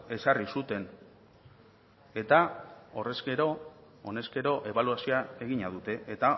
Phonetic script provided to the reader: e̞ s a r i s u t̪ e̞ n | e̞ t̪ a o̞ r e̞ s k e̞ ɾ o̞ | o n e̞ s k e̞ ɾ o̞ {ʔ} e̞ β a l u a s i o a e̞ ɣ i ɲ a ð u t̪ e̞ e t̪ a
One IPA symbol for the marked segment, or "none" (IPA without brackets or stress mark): ʔ